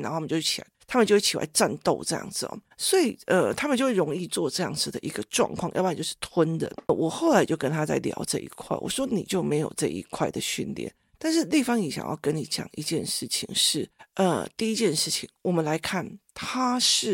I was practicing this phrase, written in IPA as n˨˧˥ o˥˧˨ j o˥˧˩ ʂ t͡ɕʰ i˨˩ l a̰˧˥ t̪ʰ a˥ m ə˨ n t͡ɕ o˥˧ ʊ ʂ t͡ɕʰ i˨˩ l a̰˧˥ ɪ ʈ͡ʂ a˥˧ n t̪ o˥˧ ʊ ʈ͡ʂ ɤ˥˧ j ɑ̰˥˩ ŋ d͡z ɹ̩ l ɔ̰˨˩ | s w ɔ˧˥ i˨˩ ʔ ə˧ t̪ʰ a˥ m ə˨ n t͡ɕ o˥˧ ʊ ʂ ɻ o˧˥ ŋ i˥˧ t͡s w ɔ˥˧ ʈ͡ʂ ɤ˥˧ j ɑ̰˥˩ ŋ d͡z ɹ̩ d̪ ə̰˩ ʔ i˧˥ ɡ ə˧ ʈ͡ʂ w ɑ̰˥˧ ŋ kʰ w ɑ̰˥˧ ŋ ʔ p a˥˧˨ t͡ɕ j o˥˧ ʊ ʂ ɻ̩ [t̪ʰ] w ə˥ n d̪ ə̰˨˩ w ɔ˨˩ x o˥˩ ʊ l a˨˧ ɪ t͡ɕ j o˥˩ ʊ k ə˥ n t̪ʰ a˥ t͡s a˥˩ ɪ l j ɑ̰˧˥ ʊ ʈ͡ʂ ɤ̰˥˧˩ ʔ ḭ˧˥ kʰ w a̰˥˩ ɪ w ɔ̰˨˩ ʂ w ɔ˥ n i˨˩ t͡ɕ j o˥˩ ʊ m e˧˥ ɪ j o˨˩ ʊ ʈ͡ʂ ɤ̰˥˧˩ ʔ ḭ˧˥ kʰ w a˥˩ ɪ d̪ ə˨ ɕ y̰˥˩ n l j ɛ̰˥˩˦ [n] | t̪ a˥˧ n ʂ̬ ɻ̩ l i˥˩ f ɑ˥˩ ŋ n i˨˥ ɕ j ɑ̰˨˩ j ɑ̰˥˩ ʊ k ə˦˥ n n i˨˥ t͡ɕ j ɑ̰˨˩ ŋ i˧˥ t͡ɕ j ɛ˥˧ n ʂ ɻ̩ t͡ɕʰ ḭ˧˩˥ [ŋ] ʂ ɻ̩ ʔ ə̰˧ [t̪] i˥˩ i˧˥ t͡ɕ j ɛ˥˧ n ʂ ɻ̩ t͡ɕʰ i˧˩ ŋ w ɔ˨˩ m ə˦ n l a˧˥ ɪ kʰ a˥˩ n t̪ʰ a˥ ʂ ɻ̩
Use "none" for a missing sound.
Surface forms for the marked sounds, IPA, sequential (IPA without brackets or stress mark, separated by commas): t̪ʰ, n, ŋ, t̪